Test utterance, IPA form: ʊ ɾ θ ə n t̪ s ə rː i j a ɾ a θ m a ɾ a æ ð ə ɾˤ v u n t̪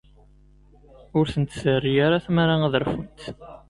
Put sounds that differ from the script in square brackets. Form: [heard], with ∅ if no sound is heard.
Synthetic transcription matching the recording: ʊ ɾ θ ə n t̪ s ə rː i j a ɾ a θ m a ɾ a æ ð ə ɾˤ [f] u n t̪